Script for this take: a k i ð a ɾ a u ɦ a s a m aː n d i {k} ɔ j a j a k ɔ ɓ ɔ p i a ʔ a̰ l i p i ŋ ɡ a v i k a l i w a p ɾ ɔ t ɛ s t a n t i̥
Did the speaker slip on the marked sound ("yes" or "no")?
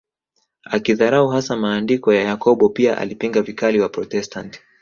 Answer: no